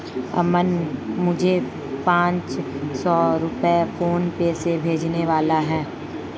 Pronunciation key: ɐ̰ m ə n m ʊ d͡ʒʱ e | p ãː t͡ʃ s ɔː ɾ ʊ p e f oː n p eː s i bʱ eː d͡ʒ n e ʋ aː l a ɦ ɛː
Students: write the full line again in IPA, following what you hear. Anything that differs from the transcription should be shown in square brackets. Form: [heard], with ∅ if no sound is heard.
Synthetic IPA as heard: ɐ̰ m ə n m ʊ d͡ʒʱ e | p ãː t͡ʃ s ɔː ɾ ʊ p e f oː n p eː s [e] bʱ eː d͡ʒ n e ʋ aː l a ɦ ɛː